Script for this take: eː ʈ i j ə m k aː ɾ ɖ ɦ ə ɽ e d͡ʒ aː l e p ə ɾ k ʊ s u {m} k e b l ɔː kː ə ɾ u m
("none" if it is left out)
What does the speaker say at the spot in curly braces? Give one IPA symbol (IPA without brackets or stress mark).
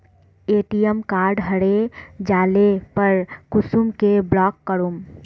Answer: m